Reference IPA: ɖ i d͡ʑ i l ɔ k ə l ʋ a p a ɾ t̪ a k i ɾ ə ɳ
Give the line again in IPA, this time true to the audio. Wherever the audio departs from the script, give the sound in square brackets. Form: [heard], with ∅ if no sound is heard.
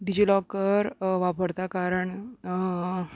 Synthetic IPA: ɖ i d͡ʑ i l ɔ k ə [ɾ] ʋ a p [ə] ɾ t̪ a k [a] ɾ ə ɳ